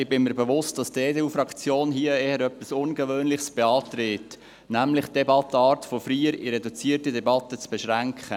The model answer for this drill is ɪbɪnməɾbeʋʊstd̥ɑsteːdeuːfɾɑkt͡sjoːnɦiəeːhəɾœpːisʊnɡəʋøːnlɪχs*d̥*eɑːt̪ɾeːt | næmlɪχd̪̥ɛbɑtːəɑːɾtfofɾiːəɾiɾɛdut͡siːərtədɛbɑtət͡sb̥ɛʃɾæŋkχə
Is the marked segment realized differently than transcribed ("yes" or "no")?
yes